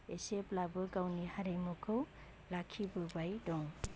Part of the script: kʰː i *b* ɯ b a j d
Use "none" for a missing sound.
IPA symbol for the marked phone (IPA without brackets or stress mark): b